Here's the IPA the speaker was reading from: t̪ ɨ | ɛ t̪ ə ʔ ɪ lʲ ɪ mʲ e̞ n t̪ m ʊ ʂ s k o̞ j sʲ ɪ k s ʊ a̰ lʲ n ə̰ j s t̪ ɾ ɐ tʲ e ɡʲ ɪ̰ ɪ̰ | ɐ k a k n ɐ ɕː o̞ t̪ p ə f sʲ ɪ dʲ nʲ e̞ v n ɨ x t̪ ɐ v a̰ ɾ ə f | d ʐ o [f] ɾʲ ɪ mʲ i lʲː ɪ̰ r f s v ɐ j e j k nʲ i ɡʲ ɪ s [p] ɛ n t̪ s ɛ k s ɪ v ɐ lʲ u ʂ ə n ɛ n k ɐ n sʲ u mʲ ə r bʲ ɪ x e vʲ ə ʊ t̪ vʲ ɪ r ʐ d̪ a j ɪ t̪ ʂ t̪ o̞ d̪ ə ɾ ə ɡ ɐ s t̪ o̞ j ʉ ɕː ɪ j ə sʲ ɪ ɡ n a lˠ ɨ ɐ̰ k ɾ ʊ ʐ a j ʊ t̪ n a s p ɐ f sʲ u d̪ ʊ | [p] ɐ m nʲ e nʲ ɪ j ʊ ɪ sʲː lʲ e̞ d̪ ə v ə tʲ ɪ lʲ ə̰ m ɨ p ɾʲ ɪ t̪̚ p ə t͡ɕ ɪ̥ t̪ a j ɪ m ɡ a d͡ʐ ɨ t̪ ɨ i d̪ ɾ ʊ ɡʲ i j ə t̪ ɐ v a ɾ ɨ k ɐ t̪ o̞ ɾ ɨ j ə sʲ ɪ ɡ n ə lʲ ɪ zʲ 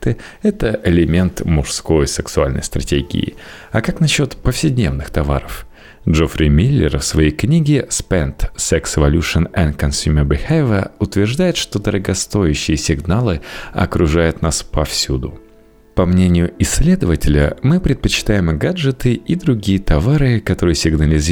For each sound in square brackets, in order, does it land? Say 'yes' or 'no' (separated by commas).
yes, yes, yes